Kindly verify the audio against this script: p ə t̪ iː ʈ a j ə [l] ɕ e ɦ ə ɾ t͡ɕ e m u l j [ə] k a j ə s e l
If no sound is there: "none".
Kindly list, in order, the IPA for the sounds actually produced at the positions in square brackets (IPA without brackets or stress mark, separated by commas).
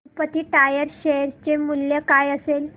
ɾ, ə